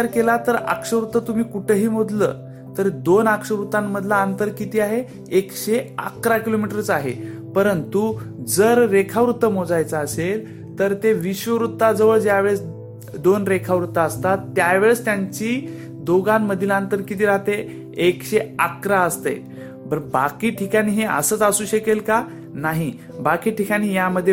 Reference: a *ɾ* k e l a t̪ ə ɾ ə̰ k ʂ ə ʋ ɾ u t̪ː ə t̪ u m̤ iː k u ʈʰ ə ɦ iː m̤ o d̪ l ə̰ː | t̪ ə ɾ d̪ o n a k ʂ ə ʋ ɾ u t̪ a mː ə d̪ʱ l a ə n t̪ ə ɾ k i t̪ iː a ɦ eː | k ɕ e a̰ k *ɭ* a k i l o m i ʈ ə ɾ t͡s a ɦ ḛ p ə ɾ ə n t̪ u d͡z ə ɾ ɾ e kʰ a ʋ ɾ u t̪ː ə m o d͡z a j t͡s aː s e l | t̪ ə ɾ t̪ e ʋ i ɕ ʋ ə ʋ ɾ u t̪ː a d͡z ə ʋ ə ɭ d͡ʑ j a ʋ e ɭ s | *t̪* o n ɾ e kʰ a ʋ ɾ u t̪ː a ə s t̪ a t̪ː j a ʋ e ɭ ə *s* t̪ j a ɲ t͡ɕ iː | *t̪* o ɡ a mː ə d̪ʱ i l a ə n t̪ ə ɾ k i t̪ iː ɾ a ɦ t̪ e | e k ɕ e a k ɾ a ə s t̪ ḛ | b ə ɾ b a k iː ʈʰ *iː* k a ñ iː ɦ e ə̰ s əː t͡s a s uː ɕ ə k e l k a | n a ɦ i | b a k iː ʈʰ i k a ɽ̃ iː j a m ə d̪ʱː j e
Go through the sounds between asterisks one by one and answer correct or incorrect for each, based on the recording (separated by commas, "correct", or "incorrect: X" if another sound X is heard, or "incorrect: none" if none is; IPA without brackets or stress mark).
correct, incorrect: ɾ, incorrect: d̪, correct, incorrect: d̪, incorrect: i